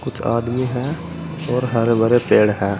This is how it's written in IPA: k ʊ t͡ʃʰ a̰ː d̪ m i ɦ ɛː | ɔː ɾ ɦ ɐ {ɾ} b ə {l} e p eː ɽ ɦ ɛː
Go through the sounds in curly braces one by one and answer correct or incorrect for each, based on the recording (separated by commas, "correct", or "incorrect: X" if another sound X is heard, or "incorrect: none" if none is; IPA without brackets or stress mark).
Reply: correct, incorrect: ɾ